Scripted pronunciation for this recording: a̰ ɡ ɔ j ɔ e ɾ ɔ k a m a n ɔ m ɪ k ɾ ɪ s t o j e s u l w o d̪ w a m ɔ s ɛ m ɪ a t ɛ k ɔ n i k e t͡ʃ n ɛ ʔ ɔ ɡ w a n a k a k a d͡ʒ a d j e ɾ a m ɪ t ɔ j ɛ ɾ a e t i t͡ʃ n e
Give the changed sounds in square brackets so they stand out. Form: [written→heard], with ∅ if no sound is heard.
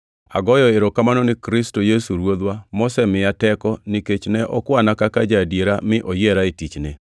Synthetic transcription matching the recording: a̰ ɡ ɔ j ɔ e ɾ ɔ k a m a n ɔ [m→n] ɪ k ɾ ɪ s t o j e s u [l→ɾ] w o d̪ w a m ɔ s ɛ m ɪ a t ɛ k ɔ n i k e t͡ʃ n ɛ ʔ ɔ [ɡ→k] w a n a k a k a d͡ʒ a d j e ɾ a m ɪ [t→ʔ] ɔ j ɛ ɾ a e t i t͡ʃ n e